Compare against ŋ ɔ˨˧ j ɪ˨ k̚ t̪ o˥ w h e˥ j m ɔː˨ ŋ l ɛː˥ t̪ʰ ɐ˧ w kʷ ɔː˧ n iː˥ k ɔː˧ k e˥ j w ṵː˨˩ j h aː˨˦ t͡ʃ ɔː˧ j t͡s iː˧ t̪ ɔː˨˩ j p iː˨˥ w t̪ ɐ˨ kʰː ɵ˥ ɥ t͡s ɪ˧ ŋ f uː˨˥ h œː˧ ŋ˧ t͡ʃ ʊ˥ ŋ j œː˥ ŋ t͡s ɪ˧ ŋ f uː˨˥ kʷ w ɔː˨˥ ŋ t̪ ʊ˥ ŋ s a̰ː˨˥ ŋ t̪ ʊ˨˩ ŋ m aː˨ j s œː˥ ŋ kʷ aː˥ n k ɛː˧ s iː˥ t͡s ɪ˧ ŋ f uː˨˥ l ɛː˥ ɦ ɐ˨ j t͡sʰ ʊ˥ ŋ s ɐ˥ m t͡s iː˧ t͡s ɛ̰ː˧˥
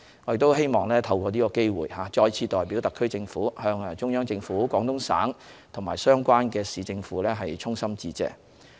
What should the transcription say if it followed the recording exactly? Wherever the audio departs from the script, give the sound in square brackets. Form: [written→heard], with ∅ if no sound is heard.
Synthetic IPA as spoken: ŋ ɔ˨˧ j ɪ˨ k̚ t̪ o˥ w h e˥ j m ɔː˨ ŋ l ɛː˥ t̪ʰ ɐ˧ w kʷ ɔː˧ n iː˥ k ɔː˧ k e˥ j w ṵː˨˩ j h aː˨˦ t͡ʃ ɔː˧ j [t͡s→t͡sʰ] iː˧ t̪ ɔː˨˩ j p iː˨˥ w t̪ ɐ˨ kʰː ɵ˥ ɥ t͡s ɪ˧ ŋ f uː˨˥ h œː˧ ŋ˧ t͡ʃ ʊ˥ ŋ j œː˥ ŋ t͡s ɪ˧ ŋ f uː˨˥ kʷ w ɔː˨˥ ŋ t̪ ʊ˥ ŋ s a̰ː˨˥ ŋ [t̪→t̪ʰ] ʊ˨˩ ŋ m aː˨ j s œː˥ ŋ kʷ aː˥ n k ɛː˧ s [iː˥→iː˨˧] t͡s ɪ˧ ŋ f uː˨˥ l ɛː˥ ɦ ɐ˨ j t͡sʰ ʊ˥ ŋ s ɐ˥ m t͡s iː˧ t͡s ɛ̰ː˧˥